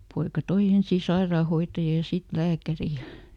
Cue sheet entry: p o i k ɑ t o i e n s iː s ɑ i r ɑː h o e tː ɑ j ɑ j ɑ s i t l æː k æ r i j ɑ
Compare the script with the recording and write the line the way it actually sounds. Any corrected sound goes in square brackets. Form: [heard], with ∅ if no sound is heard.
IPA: p o i k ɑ t o i e n s iː s ɑ i r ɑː h o [i] tː ɑ j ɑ j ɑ s i t l æː k æ r i j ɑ